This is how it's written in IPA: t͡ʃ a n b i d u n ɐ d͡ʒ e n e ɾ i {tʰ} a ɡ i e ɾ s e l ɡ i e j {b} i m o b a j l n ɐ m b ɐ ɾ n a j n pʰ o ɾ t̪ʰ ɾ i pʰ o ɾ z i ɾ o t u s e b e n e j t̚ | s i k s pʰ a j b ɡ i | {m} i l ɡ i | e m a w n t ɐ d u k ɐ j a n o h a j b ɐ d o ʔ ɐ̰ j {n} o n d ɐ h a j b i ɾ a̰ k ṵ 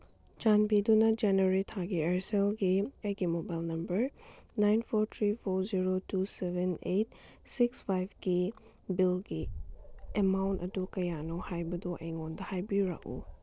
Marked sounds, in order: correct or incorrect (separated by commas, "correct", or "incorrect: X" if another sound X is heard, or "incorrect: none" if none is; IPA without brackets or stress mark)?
correct, incorrect: ɡ, incorrect: b, incorrect: ŋ